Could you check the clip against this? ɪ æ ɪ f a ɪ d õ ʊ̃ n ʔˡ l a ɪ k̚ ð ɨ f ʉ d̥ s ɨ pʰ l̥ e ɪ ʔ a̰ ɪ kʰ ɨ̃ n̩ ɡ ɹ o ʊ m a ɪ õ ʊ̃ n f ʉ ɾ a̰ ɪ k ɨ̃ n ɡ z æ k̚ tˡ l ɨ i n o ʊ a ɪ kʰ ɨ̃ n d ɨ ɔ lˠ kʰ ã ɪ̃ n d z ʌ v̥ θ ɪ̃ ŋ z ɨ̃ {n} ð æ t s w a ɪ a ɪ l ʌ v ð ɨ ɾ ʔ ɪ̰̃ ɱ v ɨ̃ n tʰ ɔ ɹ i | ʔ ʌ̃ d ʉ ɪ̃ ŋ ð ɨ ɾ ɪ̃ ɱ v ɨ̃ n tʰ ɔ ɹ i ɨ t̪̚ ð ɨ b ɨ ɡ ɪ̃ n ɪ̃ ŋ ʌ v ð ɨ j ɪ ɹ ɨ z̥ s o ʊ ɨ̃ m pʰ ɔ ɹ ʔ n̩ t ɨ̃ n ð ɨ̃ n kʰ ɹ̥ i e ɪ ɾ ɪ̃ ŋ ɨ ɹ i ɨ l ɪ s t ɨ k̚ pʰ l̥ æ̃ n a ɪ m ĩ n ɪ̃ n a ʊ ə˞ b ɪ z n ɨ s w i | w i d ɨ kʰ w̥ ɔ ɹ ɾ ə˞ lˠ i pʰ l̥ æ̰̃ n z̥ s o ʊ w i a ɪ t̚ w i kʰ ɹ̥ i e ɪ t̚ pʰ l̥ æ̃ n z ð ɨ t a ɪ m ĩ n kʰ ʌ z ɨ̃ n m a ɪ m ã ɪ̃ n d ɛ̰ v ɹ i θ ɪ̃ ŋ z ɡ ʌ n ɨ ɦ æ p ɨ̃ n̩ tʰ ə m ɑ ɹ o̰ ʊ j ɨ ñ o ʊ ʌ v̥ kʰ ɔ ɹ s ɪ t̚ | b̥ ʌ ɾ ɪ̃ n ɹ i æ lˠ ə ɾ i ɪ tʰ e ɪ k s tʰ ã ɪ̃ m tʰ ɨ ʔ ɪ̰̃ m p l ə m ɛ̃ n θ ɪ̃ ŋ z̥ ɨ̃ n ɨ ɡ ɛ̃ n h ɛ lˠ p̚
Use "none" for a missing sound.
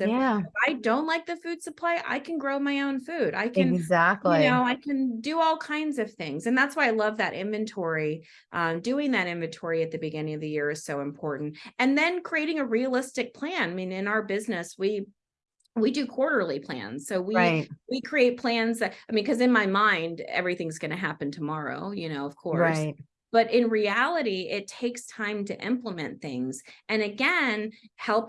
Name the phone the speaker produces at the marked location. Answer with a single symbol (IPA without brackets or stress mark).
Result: n